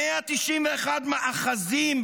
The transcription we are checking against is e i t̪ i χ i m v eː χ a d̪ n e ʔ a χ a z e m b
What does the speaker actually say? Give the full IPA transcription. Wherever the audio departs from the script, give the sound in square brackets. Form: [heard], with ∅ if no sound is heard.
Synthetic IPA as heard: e [a] t̪ i [ʃ] i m v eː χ a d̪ [m] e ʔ a χ a z [i] m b